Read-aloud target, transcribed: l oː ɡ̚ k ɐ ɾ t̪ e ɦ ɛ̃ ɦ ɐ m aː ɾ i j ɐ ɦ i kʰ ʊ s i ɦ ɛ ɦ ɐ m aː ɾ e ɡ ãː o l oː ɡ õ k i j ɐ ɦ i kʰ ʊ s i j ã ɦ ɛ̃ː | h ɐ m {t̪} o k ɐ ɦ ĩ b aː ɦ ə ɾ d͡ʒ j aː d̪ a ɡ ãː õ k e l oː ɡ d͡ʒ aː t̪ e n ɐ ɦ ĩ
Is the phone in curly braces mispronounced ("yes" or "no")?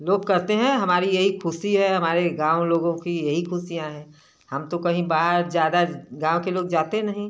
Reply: no